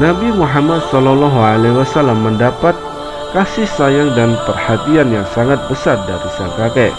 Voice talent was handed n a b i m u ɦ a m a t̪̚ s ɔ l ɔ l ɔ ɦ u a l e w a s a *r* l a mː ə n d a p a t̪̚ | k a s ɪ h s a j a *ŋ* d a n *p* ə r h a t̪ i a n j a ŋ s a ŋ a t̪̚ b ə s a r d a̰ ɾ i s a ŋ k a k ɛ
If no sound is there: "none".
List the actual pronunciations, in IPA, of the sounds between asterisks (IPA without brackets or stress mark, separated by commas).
none, ŋ, p